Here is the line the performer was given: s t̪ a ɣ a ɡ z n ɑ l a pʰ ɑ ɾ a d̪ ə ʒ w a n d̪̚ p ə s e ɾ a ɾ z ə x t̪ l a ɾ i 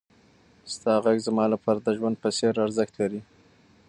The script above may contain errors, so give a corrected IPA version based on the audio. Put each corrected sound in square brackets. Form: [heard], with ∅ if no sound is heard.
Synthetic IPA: s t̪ [ɑ] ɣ a ɡ z [m] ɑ l a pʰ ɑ ɾ a d̪ ə ʒ w a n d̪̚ p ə s e ɾ a ɾ z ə x t̪ l a ɾ i